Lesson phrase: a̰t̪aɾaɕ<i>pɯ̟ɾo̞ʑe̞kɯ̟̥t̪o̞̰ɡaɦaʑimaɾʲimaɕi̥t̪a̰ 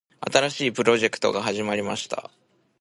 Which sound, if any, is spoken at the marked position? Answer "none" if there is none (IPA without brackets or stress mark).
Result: iː